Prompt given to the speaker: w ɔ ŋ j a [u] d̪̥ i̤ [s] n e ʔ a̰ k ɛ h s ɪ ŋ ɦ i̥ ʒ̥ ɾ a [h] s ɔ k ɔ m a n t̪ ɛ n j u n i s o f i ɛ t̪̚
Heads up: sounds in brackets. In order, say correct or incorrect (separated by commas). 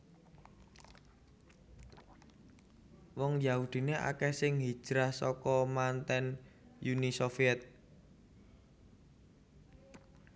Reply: correct, incorrect, correct